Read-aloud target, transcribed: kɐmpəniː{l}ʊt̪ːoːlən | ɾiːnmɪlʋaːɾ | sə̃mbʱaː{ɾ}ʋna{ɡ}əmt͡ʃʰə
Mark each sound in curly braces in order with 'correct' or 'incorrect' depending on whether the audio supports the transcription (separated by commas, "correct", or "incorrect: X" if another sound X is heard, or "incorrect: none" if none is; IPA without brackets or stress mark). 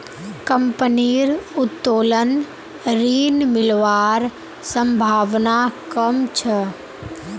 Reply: incorrect: ɾ, incorrect: none, incorrect: k